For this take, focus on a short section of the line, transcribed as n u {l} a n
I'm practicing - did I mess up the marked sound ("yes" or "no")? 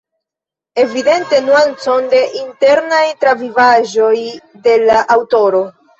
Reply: yes